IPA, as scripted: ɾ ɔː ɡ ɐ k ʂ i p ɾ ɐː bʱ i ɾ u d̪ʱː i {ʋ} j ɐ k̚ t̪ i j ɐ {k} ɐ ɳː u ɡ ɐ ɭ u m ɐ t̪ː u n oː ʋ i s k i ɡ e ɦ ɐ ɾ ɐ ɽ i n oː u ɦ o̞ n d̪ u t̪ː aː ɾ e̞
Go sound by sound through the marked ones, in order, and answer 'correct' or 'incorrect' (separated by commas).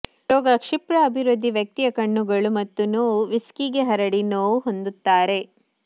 correct, correct